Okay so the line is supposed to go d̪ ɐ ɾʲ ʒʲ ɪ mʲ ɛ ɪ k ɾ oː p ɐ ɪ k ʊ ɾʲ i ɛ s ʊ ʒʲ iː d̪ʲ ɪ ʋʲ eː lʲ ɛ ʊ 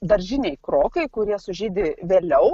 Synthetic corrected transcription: d̪ ɐ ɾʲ ʒʲ ɪ nʲ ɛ ɪ k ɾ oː k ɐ ɪ k ʊ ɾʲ i ɛ s ʊ ʒʲ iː d̪ʲ ɪ ʋʲ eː lʲ ɛ ʊ